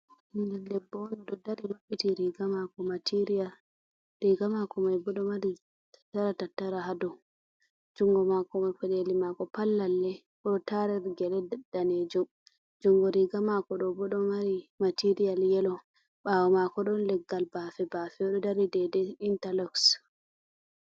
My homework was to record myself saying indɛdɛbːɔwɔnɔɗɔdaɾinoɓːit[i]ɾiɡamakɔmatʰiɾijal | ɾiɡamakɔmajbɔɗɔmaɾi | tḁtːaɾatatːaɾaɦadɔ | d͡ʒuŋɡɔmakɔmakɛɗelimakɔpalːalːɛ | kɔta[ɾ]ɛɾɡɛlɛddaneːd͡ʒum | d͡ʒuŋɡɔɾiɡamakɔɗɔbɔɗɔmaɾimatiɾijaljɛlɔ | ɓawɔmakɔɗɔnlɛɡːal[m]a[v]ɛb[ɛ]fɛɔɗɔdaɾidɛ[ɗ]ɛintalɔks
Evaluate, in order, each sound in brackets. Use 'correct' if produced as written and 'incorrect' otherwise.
correct, correct, incorrect, incorrect, incorrect, incorrect

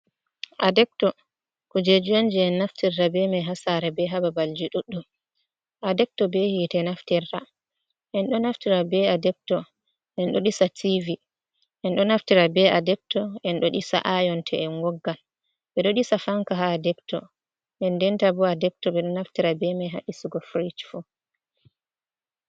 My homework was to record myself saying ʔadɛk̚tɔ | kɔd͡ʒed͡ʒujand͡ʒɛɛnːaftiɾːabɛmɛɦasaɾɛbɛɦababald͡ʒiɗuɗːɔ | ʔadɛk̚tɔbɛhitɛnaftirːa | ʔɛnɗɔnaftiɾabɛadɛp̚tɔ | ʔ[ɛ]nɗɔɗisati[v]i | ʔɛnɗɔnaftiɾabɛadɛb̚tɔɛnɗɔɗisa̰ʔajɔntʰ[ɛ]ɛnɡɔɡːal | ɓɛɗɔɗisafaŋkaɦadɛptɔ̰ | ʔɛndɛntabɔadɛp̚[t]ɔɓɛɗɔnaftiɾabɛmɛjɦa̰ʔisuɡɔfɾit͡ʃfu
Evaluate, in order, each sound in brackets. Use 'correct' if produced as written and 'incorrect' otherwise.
correct, correct, correct, correct

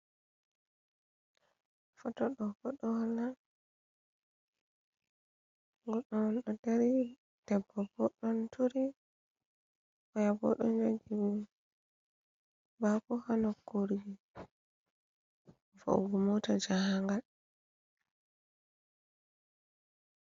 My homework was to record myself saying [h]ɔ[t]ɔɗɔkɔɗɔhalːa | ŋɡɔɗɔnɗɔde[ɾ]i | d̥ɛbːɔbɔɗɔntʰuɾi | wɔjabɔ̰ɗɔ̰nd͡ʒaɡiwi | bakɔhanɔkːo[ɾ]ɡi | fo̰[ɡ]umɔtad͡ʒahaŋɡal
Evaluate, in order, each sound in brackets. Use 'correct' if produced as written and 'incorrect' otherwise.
incorrect, correct, correct, correct, correct

